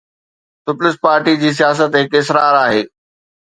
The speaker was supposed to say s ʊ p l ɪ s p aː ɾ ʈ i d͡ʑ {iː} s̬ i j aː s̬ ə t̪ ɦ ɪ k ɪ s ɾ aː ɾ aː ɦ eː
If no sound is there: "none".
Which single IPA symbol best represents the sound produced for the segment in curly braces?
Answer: iː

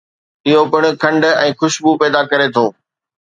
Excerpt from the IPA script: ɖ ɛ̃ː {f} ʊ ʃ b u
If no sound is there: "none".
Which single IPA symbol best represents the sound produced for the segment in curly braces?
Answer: x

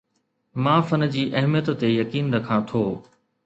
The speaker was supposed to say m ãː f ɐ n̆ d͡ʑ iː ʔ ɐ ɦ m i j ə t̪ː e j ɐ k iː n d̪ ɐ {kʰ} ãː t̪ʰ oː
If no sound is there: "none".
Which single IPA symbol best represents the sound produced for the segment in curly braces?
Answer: kʰ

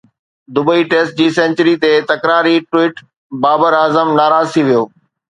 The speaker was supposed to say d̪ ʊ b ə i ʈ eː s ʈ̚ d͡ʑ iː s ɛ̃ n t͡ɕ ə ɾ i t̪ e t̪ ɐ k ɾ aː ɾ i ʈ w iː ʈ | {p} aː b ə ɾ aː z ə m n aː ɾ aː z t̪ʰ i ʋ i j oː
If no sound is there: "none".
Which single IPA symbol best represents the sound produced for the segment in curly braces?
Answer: b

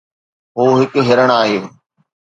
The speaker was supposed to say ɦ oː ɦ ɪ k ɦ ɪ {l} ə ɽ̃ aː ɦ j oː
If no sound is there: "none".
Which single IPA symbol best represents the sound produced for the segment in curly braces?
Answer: ɾ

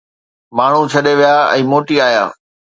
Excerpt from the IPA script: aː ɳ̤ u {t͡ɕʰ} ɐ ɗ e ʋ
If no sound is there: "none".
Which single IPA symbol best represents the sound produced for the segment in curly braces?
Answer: t͡ɕʰ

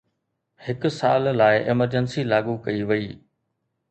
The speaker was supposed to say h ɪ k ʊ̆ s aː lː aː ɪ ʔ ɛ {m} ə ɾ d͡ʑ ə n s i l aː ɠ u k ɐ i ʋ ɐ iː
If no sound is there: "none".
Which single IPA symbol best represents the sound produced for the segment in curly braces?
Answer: m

